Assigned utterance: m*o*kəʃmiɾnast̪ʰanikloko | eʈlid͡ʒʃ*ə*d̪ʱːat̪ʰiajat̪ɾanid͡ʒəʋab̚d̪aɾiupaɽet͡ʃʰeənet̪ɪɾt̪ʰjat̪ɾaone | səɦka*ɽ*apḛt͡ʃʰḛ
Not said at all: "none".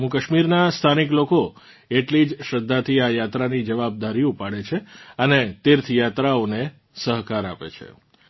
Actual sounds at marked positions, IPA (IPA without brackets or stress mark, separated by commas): u, ə, ɾ